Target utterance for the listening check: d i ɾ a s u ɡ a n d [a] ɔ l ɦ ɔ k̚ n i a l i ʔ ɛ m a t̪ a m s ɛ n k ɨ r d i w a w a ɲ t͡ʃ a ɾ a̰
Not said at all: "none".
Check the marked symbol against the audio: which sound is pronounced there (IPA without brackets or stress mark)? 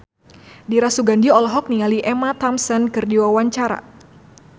i